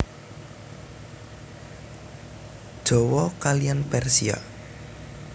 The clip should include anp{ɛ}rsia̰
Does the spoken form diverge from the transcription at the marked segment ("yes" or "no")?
no